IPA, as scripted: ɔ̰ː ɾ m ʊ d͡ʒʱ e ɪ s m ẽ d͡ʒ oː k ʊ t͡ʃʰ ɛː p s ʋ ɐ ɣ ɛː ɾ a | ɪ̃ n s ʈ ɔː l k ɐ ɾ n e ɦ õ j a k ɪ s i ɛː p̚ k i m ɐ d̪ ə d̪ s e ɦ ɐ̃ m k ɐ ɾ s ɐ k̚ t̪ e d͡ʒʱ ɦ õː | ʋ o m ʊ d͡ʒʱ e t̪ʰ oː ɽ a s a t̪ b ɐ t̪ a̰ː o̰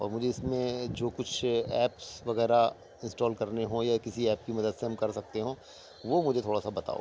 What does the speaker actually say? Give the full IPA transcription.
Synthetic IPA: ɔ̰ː ɾ m ʊ d͡ʒʱ e ɪ s m ẽ d͡ʒ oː k ʊ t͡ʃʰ ɛː p s ʋ ɐ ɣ ɛː ɾ a | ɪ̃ n s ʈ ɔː l k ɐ ɾ n e ɦ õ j a k ɪ s i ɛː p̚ k i m ɐ d̪ ə d̪ s e ɦ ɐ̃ m k ɐ ɾ s ɐ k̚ t̪ e ɦ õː | ʋ o m ʊ d͡ʒʱ e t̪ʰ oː ɽ a s a b ɐ t̪ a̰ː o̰